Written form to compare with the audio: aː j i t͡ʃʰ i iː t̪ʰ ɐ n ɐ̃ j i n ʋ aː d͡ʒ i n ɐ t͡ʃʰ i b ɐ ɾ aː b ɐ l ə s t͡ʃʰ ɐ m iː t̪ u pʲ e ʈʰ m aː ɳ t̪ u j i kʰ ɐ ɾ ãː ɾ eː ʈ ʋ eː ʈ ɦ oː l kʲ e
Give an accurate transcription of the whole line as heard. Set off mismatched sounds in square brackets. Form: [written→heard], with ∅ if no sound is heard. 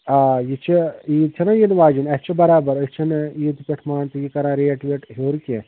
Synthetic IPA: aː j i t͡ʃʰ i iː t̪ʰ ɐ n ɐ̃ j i n ʋ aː d͡ʒ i n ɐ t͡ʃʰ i b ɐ ɾ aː b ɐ [l→ɾ] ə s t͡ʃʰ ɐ [m→n] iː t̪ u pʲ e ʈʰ m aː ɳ t̪ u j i [kʰ→k] ɐ ɾ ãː ɾ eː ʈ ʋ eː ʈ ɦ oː [l→ɾ] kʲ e